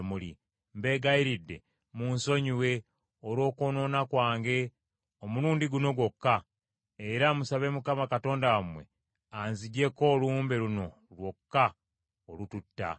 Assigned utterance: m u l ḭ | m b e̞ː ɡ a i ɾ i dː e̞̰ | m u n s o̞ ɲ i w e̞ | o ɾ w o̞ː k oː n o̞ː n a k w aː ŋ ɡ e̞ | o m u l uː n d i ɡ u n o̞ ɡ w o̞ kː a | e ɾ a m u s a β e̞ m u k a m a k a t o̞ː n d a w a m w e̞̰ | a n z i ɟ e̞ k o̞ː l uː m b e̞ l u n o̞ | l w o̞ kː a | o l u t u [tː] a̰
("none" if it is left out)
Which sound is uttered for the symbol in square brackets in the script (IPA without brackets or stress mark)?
tː